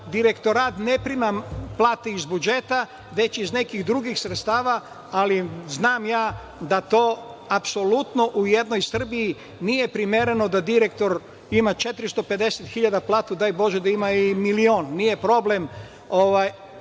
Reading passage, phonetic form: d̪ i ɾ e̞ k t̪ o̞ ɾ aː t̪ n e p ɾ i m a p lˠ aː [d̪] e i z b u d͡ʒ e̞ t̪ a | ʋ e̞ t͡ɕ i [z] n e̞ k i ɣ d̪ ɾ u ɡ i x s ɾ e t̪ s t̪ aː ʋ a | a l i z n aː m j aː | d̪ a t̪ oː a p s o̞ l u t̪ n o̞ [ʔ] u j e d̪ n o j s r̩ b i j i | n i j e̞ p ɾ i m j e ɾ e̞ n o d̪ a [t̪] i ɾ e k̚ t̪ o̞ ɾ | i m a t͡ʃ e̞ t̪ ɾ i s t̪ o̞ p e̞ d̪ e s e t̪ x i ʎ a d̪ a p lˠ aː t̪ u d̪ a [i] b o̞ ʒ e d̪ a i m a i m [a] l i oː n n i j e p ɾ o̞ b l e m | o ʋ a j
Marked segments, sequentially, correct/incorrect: incorrect: t̪, correct, correct, incorrect: d̪, incorrect: j, incorrect: i

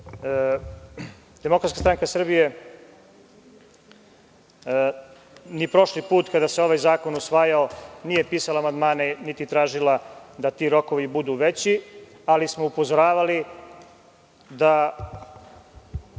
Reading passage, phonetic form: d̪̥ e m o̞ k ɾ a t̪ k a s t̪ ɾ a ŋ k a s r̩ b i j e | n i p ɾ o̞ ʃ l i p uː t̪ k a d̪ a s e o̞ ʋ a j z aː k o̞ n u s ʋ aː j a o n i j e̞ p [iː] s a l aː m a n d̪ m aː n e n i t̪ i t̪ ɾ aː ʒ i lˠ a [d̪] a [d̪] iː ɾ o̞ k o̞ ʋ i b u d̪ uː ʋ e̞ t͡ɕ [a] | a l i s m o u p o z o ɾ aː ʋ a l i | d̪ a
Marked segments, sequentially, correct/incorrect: correct, correct, incorrect: t̪, incorrect: i

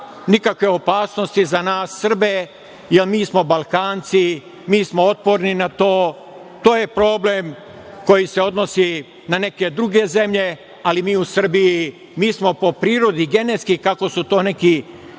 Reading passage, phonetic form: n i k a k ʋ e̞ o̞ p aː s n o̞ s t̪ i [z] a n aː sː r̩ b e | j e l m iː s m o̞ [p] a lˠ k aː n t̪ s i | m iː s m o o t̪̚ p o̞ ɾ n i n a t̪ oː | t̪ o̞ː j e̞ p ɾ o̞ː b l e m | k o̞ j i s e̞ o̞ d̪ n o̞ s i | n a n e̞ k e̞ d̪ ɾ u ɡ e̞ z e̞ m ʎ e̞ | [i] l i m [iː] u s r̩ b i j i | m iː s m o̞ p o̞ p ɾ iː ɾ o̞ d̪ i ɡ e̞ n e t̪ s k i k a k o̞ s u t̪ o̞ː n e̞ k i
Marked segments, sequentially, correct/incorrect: correct, incorrect: b, incorrect: a, correct

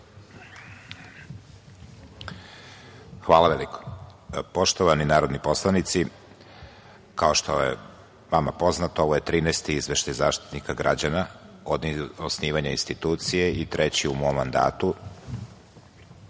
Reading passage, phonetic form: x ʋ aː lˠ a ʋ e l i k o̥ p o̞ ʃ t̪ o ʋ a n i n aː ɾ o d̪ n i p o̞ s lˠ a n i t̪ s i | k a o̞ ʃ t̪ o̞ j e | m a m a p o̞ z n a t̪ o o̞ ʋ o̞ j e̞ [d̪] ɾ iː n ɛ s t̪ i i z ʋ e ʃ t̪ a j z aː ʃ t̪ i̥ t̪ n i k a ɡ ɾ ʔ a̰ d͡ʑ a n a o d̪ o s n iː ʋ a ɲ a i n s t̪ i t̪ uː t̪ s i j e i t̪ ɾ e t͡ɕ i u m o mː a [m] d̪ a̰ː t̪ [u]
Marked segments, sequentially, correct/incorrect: incorrect: t̪, incorrect: n, correct

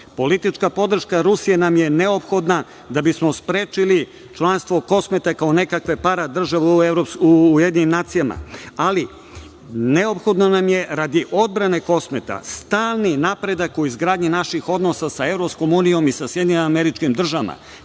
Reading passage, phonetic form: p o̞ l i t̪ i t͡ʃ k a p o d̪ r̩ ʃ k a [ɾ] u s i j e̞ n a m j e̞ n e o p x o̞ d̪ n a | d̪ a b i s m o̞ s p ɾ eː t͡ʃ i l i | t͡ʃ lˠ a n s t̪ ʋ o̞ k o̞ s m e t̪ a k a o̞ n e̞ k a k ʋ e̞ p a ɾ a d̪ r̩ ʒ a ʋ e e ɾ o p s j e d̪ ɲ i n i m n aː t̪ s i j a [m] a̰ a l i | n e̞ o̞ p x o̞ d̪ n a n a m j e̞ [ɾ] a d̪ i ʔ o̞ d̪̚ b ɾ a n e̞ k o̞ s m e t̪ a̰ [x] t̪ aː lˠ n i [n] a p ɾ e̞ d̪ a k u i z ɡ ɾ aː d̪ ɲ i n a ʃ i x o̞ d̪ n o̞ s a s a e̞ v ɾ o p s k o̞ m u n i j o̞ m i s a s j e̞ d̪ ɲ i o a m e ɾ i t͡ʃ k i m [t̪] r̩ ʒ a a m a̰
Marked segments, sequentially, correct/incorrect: correct, correct, correct, incorrect: s, correct, incorrect: d̪

